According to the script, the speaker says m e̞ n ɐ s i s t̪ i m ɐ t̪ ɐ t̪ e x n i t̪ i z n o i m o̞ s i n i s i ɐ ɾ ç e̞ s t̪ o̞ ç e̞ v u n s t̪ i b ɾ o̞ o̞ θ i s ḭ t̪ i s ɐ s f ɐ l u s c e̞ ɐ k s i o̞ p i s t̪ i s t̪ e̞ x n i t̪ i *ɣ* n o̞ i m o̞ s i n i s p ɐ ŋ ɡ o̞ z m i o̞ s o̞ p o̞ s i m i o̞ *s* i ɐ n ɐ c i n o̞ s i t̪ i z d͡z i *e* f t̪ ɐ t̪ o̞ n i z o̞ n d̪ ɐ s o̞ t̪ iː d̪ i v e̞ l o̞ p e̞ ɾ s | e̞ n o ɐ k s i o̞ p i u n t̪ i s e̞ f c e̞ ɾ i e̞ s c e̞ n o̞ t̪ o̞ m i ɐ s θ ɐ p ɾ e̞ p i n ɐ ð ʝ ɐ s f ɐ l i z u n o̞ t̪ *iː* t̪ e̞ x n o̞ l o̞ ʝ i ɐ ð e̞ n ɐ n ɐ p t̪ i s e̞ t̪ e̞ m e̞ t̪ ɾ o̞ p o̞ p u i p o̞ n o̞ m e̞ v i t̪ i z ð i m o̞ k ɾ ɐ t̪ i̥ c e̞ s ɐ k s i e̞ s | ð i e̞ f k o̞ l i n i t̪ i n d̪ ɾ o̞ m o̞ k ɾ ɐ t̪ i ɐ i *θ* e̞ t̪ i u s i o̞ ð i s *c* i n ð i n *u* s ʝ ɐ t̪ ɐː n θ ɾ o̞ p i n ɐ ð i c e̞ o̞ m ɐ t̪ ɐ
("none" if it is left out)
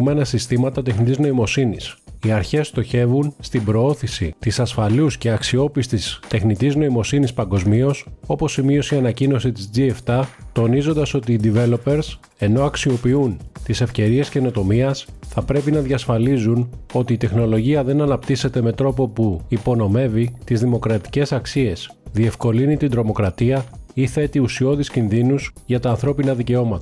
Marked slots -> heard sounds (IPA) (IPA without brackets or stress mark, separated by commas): z, s, e, iː, θ, c, u